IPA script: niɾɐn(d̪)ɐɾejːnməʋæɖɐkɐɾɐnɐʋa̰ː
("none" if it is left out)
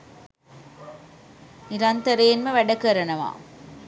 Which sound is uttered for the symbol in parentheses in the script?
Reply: t̪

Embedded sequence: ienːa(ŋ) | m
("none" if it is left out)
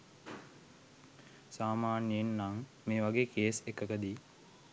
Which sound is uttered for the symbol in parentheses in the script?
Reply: ŋ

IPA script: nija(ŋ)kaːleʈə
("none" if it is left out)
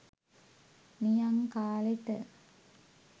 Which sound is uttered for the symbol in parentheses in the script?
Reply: ŋ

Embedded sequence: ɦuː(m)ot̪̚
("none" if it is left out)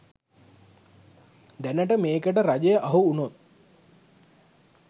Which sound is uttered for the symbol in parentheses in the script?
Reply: n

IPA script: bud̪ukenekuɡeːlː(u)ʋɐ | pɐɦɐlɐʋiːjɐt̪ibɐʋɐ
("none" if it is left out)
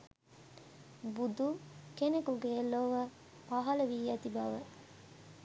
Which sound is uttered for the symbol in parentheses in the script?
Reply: o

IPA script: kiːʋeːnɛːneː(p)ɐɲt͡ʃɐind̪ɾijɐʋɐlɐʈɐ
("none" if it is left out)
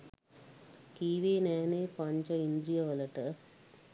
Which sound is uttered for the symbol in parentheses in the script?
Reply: p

